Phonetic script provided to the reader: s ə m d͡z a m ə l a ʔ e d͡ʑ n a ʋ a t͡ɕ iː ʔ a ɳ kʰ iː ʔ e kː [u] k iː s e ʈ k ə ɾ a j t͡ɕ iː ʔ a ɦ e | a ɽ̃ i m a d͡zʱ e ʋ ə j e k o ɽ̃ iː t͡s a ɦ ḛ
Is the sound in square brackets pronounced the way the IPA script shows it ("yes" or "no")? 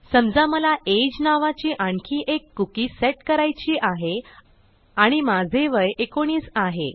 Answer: yes